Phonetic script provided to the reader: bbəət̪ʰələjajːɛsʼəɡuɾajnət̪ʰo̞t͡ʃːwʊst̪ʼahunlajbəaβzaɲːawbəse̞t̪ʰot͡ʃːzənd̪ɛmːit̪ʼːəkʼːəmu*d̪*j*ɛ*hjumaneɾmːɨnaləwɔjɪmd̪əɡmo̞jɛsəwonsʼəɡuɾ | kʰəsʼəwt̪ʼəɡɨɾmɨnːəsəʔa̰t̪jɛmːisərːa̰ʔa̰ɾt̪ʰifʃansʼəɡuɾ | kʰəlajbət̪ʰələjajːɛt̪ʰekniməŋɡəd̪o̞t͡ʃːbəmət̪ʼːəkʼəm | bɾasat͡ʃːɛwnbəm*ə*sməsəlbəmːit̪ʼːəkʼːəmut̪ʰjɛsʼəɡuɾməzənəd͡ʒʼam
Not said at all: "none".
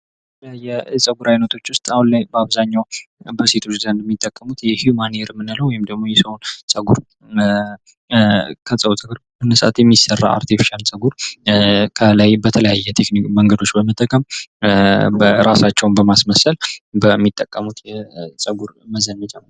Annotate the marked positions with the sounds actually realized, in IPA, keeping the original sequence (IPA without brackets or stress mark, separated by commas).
t̪, ɛ, a